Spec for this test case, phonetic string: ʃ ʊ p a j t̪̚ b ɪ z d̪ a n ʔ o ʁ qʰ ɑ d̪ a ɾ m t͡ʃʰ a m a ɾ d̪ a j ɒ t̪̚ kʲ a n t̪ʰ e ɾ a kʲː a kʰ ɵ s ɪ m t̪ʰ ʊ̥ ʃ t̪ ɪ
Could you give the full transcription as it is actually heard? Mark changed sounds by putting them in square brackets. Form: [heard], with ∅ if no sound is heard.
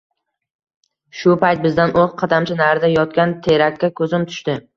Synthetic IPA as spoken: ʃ ʊ p a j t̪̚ b ɪ z d̪ a n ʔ o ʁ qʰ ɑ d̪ a [∅] m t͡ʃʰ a [n] a ɾ d̪ a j ɒ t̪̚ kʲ a n t̪ʰ e ɾ a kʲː a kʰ ɵ [z] ɪ m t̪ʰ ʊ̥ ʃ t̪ ɪ